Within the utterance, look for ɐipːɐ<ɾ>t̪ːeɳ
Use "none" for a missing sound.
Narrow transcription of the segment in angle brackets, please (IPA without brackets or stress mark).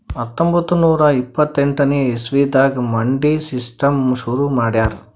none